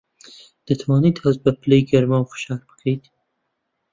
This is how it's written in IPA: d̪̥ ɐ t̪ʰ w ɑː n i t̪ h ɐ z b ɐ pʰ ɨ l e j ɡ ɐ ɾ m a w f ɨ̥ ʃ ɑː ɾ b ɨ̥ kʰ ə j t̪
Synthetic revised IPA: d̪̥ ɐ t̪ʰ w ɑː n i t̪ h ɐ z b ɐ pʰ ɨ l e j ɡ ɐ ɾ m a w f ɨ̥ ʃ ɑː ɾ b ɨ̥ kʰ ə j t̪

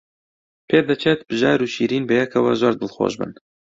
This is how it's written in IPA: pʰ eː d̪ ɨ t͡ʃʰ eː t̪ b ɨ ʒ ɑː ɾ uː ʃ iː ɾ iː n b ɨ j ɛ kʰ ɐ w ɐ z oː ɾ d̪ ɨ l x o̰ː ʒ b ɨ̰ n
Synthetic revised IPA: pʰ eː d̪ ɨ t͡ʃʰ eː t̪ b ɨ ʒ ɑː ɾ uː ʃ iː ɾ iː n b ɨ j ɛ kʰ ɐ w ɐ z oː ɾ d̪ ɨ l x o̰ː ʒ b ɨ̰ n

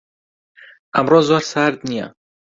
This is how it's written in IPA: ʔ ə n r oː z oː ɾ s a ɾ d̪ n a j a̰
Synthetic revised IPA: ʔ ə m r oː z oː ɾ s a ɾ d̪ n i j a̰

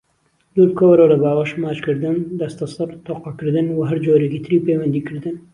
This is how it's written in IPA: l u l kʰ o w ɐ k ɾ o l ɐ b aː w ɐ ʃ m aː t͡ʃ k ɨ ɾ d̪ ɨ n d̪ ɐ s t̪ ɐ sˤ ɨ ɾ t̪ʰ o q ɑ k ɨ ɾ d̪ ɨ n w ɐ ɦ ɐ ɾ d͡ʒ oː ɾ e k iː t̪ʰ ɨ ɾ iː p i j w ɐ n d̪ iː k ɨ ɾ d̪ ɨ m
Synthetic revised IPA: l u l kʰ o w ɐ ɾ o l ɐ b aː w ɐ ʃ m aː t͡ʃ k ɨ ɾ d̪ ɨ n d̪ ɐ s t̪ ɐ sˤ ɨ ɾ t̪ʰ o q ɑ k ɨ ɾ d̪ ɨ n w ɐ ɦ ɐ ɾ d͡ʒ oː ɾ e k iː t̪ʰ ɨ ɾ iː p e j w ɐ n d̪ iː k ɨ ɾ d̪ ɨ n

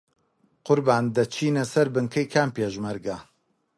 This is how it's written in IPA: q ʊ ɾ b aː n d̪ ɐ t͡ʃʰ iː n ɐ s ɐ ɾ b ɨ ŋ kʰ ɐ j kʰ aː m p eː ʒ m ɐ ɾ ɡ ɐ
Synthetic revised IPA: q ʊ ɾ b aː n d̪ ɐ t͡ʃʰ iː n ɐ s ɐ ɾ b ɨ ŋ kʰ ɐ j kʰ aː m p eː ʒ m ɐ ɾ ɡ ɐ

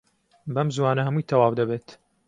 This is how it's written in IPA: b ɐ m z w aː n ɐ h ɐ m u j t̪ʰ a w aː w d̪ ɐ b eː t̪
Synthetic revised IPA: b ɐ m z w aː n ɐ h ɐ m u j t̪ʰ ɐ w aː w d̪ ɐ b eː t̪

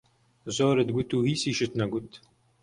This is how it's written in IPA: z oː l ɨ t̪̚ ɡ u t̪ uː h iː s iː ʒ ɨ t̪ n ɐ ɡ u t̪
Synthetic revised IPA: z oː ɾ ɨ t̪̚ ɡ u t̪ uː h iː s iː ʃ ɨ t̪ n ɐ ɡ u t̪

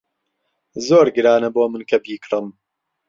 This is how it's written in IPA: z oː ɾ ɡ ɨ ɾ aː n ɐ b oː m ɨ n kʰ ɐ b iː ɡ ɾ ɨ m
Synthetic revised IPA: z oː ɾ ɡ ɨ ɾ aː n ɐ b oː m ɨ n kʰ ɐ b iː k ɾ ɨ m

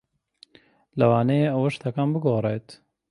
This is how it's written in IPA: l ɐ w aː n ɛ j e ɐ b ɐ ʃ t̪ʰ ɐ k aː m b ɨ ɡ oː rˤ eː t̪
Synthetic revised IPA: l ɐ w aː n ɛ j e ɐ w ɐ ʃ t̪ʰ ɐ k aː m b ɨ ɡ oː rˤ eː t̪

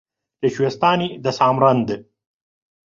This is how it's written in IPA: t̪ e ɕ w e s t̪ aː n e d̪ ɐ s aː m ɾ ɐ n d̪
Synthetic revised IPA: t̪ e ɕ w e s t̪ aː n i d̪ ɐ s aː m ɾ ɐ n d̪

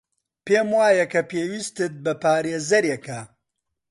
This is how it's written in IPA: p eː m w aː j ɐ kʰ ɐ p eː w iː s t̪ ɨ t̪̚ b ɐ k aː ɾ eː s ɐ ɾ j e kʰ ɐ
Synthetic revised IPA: p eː m w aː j ɐ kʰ ɐ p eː w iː s t̪ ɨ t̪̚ b ɐ p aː ɾ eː z ɐ ɾ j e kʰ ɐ

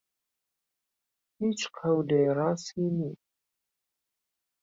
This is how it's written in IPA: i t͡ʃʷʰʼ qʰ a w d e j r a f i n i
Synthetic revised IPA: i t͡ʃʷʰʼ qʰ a w d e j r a s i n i

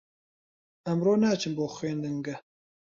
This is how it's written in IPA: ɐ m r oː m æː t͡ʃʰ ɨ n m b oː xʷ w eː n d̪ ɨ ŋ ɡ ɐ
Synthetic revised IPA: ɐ m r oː n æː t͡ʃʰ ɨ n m b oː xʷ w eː n d̪ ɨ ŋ ɡ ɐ

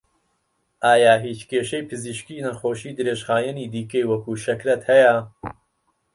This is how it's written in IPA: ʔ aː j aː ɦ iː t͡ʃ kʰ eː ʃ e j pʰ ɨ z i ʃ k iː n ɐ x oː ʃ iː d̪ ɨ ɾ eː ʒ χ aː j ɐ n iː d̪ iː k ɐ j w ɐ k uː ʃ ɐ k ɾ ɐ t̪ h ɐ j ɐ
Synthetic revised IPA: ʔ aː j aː ɦ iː t͡ʃ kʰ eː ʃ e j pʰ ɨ z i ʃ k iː n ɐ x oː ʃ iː d̪ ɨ ɾ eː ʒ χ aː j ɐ n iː d̪ iː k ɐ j w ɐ k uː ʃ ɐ k ɾ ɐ t̪ h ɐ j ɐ

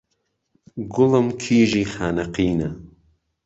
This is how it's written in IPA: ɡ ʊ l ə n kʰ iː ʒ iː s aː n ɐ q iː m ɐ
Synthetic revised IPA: ɡ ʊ l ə m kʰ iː ʒ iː x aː n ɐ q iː n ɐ

